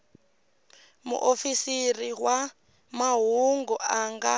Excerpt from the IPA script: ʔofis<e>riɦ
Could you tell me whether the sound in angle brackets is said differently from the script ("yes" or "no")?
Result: yes